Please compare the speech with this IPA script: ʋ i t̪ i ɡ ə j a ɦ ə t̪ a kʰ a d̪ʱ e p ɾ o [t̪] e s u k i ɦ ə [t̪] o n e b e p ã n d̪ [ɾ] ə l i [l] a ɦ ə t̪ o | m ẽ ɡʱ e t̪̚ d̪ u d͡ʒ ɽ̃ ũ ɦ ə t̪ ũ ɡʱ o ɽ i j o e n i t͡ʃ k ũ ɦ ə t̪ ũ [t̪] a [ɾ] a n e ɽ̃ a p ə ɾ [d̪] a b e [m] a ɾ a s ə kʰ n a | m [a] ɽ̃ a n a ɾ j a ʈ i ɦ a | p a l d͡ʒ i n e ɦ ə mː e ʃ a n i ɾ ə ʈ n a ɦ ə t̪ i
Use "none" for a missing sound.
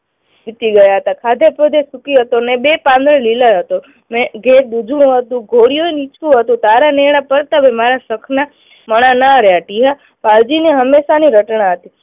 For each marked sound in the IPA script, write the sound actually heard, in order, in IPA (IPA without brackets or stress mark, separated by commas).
d̪, t̪, ɾ, l, t̪, ɾ, t̪, m, ə